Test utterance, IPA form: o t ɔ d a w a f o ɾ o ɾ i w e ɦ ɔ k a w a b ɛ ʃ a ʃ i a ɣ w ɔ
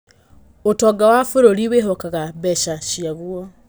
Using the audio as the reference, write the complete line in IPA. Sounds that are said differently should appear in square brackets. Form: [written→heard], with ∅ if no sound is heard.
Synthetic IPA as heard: o t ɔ [d→ɡ] a w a f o ɾ o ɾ i w e ɦ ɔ k a [w→ɣ] a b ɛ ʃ a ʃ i a ɣ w ɔ